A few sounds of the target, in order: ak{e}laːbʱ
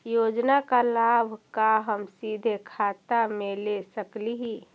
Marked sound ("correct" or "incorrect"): incorrect